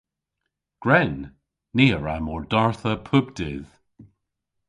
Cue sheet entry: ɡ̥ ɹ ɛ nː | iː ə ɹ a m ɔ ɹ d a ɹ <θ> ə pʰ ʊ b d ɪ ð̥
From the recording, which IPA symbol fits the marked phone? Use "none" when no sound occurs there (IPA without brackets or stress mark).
θ